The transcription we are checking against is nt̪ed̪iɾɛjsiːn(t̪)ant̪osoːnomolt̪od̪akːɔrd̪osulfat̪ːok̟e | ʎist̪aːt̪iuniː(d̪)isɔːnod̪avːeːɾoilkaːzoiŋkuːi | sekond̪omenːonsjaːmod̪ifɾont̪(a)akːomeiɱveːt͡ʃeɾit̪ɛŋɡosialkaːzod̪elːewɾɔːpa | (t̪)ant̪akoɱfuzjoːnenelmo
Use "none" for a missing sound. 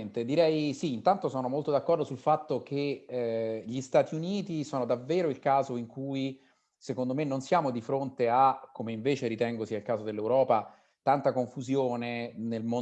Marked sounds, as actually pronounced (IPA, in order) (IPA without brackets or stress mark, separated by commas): t̪, t̪, e, t̪